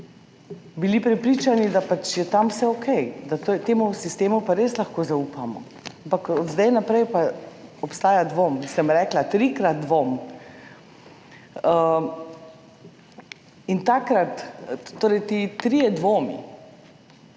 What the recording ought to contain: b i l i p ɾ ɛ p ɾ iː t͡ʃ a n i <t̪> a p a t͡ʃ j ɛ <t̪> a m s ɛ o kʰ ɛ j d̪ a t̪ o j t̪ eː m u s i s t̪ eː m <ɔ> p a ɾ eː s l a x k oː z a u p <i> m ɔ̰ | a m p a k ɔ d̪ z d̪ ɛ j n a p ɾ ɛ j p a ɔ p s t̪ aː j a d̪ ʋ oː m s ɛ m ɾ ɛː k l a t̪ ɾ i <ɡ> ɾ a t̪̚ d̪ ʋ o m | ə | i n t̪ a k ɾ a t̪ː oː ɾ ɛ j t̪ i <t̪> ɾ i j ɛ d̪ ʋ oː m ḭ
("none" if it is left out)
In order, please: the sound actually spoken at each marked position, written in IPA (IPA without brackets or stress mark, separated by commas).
d̪, t̪, u, a, k, t̪